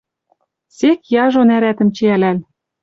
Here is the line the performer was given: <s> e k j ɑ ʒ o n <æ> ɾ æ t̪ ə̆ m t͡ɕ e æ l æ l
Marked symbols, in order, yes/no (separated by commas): yes, yes